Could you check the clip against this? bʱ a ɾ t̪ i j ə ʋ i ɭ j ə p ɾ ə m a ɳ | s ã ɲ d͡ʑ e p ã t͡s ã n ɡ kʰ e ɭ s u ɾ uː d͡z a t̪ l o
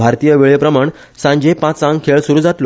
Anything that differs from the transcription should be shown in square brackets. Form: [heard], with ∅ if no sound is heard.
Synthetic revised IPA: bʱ a ɾ t̪ i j ə ʋ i ɭ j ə p ɾ ə m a ɳ | s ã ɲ d͡ʑ e p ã t͡s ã [ŋ] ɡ kʰ e ɭ s u ɾ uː d͡z a t̪ l o